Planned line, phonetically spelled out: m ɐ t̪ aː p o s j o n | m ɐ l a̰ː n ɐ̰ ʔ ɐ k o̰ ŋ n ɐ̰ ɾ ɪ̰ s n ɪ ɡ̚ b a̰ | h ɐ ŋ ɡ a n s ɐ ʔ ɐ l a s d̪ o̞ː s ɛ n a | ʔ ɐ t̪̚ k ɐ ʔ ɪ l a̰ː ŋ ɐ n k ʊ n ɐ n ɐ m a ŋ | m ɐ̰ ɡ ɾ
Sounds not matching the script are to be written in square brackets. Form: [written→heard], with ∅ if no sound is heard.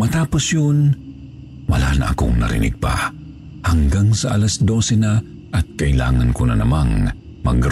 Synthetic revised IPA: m ɐ t̪ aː p o s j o n | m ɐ l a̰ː n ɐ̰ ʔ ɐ k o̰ ŋ n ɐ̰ ɾ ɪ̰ [s→∅] n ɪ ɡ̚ [b→p] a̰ | h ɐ ŋ ɡ a [n→ŋ] s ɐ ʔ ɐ l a s d̪ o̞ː s ɛ n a | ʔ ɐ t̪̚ k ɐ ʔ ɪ l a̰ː ŋ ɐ n k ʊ n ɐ n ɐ m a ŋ | m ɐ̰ ɡ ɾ